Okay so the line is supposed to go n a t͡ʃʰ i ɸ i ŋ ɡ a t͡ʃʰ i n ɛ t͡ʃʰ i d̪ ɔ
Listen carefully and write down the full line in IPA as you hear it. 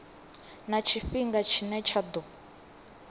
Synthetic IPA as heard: n a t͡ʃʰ i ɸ i ŋ ɡ a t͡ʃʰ i n ɛ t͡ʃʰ a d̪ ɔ